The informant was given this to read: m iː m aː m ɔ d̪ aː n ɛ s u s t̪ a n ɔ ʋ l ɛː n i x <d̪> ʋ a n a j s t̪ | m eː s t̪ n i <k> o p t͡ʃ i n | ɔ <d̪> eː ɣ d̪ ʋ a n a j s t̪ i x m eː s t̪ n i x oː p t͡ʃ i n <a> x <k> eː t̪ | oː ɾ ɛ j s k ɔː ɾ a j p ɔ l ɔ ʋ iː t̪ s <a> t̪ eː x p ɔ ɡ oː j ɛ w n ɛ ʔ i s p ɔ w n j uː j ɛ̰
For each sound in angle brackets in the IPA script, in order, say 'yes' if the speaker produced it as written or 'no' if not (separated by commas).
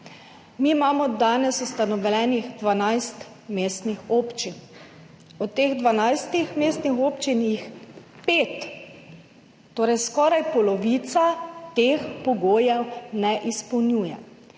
yes, no, no, no, no, yes